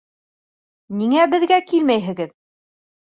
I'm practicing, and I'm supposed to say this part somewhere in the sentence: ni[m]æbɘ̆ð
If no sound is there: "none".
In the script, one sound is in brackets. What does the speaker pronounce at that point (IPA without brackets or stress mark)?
ŋ